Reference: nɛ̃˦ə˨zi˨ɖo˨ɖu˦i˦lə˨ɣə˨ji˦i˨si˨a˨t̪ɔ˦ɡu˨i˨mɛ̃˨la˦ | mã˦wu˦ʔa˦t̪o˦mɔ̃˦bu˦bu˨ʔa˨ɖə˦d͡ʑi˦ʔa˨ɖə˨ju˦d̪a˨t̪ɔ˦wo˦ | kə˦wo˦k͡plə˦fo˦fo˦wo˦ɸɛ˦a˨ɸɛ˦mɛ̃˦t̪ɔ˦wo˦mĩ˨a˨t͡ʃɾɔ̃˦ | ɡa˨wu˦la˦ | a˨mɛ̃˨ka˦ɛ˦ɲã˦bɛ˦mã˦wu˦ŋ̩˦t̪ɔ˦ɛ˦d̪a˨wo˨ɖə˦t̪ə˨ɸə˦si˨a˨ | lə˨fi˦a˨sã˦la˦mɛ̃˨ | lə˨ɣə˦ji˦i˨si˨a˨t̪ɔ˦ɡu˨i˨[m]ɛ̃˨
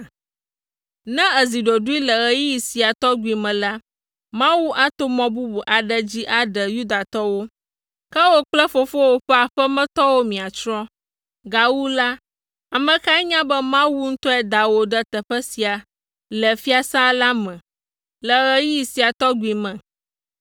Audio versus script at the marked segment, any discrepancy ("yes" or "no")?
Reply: no